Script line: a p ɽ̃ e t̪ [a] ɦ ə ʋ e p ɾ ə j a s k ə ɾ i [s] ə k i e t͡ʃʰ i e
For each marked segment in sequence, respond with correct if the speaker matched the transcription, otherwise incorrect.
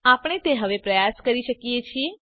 incorrect, incorrect

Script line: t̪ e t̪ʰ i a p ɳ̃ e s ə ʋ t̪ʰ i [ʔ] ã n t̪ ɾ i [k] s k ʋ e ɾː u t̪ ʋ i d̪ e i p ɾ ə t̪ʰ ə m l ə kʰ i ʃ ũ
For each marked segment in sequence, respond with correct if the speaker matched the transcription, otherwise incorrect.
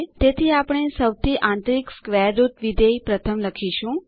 correct, correct

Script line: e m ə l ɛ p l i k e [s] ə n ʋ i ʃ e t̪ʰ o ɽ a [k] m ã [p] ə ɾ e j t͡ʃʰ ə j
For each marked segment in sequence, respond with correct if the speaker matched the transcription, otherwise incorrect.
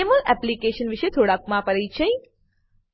incorrect, correct, correct

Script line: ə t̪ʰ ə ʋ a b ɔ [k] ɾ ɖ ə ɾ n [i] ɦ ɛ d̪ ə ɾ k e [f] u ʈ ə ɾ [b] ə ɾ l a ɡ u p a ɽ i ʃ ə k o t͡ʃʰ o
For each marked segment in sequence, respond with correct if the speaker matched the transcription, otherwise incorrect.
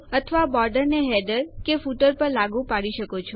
incorrect, incorrect, correct, incorrect

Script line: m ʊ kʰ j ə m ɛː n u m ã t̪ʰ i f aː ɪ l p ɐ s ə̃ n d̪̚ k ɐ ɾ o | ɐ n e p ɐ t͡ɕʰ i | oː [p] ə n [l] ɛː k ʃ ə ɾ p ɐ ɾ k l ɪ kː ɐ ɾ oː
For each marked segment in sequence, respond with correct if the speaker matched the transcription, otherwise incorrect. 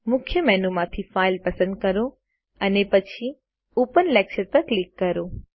correct, correct

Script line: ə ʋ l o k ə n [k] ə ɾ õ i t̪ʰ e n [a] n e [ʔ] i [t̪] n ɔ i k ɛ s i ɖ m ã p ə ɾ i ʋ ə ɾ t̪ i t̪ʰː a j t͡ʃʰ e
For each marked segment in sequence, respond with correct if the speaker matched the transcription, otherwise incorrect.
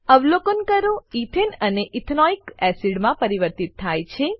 correct, incorrect, correct, incorrect

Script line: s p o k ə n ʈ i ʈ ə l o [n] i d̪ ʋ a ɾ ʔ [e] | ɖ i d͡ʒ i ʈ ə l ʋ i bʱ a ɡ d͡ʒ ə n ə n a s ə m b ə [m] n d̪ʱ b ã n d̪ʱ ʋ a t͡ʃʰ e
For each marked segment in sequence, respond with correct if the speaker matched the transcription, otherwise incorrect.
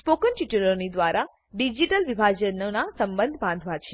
correct, incorrect, incorrect

